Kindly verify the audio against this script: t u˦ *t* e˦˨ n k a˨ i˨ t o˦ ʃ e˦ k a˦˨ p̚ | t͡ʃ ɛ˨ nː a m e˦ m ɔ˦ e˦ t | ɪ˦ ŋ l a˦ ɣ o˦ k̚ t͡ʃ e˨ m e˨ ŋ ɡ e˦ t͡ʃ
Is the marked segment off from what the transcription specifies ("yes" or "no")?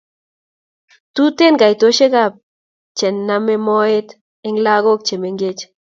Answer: no